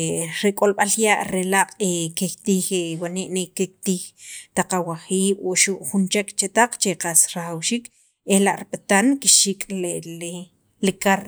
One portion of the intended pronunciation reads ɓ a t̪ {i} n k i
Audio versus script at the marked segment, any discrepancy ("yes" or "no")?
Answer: yes